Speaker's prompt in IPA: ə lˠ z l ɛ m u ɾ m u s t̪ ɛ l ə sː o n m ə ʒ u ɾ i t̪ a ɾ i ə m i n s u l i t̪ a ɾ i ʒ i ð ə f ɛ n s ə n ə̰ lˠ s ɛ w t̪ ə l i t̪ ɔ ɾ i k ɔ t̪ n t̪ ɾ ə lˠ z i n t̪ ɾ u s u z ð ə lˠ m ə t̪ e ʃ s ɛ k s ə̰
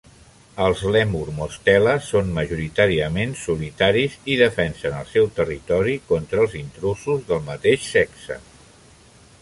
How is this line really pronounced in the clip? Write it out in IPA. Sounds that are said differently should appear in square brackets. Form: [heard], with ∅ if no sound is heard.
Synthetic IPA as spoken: ə lˠ z l ɛ m u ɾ m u s t̪ ɛ l ə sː o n m ə ʒ u ɾ i t̪ a ɾ i ə m [e] n s u l i t̪ a ɾ i [z] i ð ə f ɛ n s ə n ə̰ lˠ s ɛ w t̪ ə [r] i t̪ ɔ ɾ i k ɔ [∅] n t̪ ɾ ə lˠ z i n t̪ ɾ u s u z ð ə lˠ m ə t̪ e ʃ s ɛ k s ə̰

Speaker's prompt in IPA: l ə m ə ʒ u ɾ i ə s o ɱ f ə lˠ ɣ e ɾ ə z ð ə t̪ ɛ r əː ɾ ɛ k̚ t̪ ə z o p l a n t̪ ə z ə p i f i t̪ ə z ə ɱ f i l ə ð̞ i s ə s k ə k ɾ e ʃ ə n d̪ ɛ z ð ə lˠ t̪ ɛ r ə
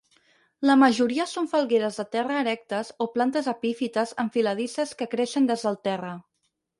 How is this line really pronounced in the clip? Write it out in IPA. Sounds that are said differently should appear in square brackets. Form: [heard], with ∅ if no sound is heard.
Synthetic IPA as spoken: l ə m ə ʒ u ɾ i ə s o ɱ f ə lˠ ɣ e ɾ ə z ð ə t̪ ɛ r əː ɾ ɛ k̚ t̪ ə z o p l a n t̪ ə z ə p i f i t̪ ə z ə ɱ f i l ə ð̞ i s ə s k ə k ɾ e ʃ ə n d̪ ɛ z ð ə lˠ t̪ ɛ r ə

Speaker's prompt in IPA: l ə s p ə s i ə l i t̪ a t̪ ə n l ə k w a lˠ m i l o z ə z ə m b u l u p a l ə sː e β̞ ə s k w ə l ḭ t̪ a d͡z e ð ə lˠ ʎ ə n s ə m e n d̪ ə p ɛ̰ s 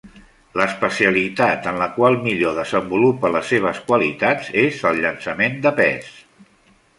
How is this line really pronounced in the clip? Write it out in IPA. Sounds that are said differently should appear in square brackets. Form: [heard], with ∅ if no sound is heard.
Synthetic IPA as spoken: l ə s p ə s i ə l i t̪ a t̪ ə n l ə k w a lˠ m i [ʎ] o [ð] ə z ə m b u l u p [ə] l ə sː e β̞ ə s k w ə l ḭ t̪ a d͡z e [z] ə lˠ ʎ ə n s ə m e n d̪ ə p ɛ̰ s

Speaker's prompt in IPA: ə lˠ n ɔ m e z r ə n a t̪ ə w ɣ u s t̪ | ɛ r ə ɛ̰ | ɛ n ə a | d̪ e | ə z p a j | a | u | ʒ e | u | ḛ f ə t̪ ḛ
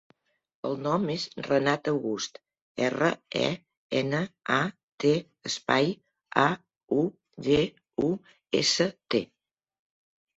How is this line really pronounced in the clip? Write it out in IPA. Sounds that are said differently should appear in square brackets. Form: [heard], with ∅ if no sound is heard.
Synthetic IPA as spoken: ə lˠ n ɔ m e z r ə n a t̪ ə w ɣ u s t̪ | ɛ r ə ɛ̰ | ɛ n ə a | [t̪] e | ə [s] p a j | a | u | ʒ e | u | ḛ [s] ə t̪ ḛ

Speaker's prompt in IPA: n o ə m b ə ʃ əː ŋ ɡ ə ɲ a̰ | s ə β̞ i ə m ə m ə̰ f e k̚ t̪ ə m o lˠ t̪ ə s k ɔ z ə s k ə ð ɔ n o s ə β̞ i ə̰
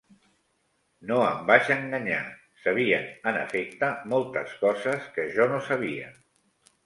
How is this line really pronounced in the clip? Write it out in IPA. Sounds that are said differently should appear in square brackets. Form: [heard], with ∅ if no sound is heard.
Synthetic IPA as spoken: n o ə m b [a] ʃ [ə] ŋ ɡ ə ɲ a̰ | s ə β̞ i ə [n] ə [n] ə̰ f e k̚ t̪ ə m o lˠ t̪ ə s k ɔ z ə s k ə [ʒ] ɔ n o s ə β̞ i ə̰

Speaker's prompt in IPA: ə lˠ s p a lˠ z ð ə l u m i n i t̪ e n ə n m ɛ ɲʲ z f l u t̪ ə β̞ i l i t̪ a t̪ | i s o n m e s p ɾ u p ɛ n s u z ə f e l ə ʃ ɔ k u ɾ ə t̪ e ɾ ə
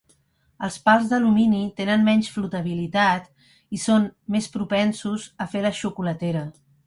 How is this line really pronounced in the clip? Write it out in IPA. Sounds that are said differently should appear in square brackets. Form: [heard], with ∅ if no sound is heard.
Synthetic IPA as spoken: ə lˠ s p a lˠ z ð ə l u m i n i t̪ e n ə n m ɛ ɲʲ [s] f l u t̪ ə β̞ i l i t̪ a t̪ | i s o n m e s p ɾ u p ɛ n s u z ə f e l ə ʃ [u] k u [l] ə t̪ e ɾ ə

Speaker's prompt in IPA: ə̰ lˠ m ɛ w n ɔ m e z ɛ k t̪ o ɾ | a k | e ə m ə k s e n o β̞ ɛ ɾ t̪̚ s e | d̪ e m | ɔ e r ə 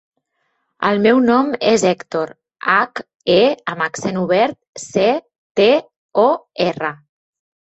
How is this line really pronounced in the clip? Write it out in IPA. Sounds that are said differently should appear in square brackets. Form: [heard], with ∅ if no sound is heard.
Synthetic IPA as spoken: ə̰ lˠ m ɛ w n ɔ m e z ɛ k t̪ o ɾ | a k | e ə m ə k s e n [u] β̞ ɛ ɾ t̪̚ s e | [t̪] e [∅] | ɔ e r ə

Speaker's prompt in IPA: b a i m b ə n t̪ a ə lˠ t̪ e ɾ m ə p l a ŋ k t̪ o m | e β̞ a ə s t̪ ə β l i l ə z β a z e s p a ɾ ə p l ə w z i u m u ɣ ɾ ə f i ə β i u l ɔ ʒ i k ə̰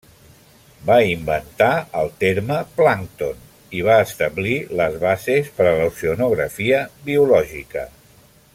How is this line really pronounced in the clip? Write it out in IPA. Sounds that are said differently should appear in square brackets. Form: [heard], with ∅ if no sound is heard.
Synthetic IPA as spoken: b a i m b ə n t̪ a ə lˠ t̪ e ɾ m ə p l a ŋ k t̪ o [n] | [i] β̞ a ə s t̪ ə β l i l ə z β a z e s p [ə] ɾ ə [∅] l ə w [s] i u [n] u ɣ ɾ ə f i ə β i u l ɔ ʒ i k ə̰

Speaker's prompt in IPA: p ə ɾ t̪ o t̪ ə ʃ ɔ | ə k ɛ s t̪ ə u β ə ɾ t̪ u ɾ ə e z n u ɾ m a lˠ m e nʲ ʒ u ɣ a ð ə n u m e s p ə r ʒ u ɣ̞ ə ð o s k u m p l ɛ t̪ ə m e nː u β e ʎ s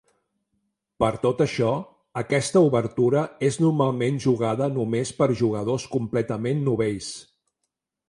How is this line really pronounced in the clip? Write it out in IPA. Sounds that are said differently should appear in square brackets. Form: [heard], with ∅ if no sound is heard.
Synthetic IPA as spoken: p ə ɾ t̪ o t̪ ə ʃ ɔ | ə k ɛ s t̪ ə u β ə ɾ t̪ u ɾ ə e z n u ɾ m a lˠ m e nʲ ʒ u ɣ a ð ə n u m e s p ə [ɾ] ʒ u ɣ̞ ə ð o s k u m p l ɛ t̪ ə m e nː u β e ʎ s

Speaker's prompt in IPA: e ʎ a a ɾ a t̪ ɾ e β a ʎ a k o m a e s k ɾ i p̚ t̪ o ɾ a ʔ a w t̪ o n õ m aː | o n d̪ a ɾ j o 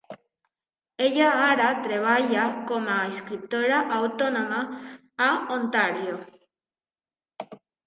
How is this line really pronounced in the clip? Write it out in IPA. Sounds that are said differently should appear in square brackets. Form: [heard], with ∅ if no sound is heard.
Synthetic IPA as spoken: e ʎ a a ɾ a t̪ ɾ e β a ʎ a k o m a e s k ɾ i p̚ t̪ o ɾ a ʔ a w t̪ o n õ m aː | o n [t̪] a ɾ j o

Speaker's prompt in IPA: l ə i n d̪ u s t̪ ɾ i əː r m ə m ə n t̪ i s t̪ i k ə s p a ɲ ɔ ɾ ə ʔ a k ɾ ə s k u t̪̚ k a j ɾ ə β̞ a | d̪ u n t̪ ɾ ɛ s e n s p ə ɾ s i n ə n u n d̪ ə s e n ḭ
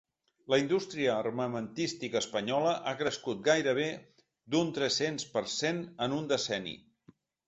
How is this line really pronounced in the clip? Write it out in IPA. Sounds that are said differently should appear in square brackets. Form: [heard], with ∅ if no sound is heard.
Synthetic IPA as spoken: l ə i n d̪ u s t̪ ɾ i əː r m ə m ə n t̪ i s t̪ i k ə s p [ə] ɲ ɔ [l] ə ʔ a k ɾ ə s k u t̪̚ [ɡ] a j ɾ ə β̞ [e] | d̪ u n t̪ ɾ ɛ s e n s p ə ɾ s [e] n ə n u n d̪ ə s [ɛ] n ḭ

